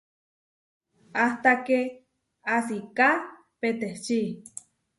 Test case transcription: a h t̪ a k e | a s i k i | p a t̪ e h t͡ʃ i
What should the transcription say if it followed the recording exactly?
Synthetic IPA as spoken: a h t̪ a k e | a s i k a | p e t̪ e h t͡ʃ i

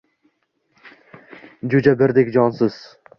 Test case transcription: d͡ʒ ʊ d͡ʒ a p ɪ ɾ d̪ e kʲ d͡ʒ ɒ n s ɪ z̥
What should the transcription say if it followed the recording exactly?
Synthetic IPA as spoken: d͡ʒ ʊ d͡ʒ a b ɪ ɾ d̪ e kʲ d͡ʒ ɒ n s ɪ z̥

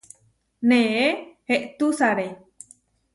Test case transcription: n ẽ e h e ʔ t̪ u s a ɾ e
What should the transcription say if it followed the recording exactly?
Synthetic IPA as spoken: n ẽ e h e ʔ t̪ u s a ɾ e

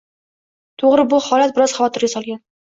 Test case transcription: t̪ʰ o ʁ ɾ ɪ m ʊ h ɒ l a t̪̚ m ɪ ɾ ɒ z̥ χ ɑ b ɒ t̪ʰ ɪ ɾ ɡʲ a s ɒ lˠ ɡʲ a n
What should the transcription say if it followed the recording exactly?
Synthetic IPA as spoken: t̪ʰ o ʁ ɾ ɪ b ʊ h ɒ l a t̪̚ b ɪ ɾ ɒ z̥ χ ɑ v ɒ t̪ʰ ɪ ɾ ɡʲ a s ɒ lˠ ɡʲ a n

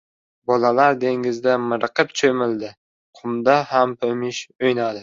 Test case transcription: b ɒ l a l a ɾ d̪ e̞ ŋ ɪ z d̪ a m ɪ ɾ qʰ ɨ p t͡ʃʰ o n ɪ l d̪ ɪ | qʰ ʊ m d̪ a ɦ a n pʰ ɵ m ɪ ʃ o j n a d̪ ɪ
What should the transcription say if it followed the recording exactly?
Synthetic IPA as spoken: b ɒ l a l a ɾ d̪ e̞ ŋ ɪ z d̪ a m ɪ ɾ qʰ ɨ p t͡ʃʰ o m ɪ l d̪ ɪ | qʰ ʊ m d̪ a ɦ a m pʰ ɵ m ɪ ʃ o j n a d̪ ɪ

